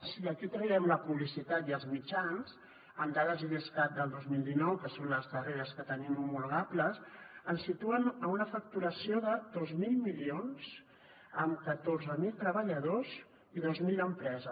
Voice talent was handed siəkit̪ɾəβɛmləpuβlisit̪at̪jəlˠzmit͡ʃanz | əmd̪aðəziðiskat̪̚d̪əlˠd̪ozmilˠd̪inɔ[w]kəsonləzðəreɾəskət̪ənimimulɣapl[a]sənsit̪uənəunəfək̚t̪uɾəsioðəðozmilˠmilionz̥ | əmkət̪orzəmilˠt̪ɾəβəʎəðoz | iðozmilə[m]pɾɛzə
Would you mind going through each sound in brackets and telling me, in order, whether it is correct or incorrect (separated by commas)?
correct, incorrect, correct